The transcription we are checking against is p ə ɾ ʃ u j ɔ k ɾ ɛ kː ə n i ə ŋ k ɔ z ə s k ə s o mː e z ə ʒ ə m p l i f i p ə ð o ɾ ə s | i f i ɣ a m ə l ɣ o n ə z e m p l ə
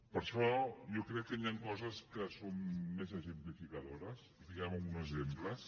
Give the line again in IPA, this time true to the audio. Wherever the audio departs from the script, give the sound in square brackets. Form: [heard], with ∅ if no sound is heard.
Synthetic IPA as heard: p ə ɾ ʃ [ɔ] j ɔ k ɾ ɛ kː ə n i [a] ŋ k ɔ z ə s k ə s o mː e z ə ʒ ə m p l i f i [k] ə ð o ɾ ə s | i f i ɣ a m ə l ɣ [u] n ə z e m p l ə